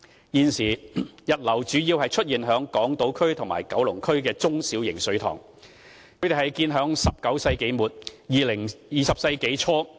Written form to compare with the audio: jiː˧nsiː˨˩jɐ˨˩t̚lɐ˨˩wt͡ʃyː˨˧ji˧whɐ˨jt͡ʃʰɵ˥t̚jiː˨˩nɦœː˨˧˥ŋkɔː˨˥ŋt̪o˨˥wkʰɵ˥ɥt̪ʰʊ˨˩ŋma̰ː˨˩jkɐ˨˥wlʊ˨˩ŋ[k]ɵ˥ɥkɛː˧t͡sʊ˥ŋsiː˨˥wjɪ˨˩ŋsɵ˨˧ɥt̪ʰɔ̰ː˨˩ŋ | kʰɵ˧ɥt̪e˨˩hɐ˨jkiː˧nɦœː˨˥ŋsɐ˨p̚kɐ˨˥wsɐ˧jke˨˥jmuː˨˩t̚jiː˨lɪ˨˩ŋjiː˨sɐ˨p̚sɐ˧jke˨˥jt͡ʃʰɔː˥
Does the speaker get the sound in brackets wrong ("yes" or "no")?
yes